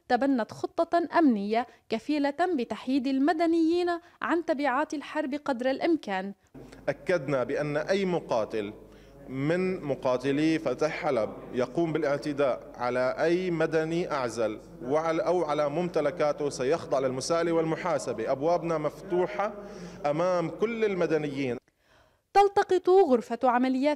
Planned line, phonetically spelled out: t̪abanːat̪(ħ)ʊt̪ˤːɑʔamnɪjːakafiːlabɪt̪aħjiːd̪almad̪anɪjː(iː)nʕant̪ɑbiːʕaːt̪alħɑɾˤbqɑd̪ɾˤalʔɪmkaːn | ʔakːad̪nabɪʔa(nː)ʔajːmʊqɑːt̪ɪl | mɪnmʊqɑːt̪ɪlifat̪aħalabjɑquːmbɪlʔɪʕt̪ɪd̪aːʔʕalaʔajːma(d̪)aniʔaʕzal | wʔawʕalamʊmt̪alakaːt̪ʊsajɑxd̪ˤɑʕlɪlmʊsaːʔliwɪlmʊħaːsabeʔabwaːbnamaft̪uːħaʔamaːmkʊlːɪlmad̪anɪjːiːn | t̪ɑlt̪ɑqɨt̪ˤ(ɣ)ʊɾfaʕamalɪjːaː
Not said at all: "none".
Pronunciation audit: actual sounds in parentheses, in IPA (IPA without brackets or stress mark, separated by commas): x, iː, nː, d̪, ɣ